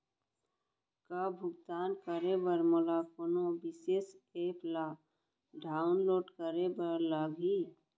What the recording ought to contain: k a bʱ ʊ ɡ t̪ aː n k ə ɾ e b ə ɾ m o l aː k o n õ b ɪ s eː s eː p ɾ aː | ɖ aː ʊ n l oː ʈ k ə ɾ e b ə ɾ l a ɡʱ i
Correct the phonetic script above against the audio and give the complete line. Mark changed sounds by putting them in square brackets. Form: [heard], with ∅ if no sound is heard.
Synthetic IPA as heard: k a bʱ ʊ ɡ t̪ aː n k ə ɾ e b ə ɾ m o l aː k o n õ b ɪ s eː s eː p [l] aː | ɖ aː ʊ n l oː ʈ k ə ɾ e b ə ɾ l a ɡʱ i